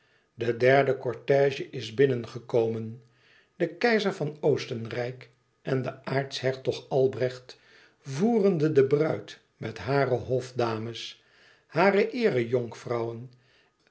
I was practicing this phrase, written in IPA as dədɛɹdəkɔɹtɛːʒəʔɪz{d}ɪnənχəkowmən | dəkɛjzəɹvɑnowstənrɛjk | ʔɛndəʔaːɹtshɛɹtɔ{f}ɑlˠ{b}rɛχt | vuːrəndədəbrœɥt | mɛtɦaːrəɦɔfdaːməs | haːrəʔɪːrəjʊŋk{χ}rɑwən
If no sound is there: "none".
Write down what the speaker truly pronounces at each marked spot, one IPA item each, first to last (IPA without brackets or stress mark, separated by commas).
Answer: b, χ, b, f